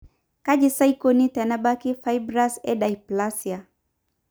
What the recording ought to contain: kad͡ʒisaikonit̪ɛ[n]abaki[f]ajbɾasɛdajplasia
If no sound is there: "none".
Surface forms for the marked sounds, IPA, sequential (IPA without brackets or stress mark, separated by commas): n, f